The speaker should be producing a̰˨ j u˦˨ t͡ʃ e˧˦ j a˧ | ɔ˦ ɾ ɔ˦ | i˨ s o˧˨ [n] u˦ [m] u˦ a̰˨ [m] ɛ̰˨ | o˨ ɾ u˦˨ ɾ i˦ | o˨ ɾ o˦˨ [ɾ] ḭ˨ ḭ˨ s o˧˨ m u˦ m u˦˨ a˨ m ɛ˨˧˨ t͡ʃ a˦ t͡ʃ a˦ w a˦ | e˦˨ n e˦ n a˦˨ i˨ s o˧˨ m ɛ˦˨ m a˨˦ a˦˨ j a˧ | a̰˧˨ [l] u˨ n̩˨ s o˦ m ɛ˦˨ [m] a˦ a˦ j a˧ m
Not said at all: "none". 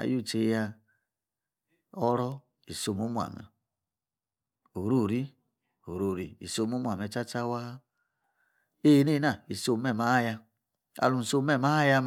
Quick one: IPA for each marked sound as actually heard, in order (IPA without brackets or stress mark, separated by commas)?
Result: m, m, m, ɾ, l, m